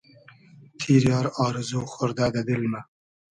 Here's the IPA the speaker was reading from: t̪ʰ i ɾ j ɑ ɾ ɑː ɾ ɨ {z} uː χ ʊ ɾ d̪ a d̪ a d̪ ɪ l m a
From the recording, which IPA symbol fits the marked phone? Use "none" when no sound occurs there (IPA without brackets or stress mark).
z